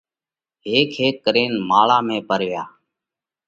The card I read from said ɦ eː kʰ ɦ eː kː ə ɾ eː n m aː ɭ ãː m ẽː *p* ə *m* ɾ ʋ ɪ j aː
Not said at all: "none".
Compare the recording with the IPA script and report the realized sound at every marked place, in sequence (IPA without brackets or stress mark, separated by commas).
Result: p, none